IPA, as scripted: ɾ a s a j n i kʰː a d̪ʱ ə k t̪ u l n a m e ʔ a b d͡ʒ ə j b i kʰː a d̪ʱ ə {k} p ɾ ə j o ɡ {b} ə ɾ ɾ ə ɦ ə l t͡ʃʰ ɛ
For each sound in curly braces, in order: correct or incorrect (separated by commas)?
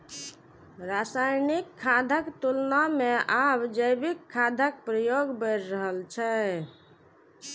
correct, correct